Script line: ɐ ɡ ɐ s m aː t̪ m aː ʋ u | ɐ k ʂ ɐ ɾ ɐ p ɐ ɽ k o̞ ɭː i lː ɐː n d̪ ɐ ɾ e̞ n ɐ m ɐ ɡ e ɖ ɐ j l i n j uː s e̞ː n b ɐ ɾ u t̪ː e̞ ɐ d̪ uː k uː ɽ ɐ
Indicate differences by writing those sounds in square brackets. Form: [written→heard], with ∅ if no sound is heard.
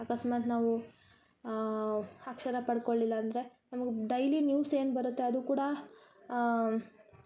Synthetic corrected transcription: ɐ [ɡ→k] ɐ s m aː t̪ [m→n] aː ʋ u | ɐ k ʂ ɐ ɾ ɐ p ɐ ɽ k o̞ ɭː i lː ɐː n d̪ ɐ ɾ e̞ n ɐ m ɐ ɡ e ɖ ɐ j l i n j uː s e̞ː n b ɐ ɾ u t̪ː e̞ ɐ d̪ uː k uː ɽ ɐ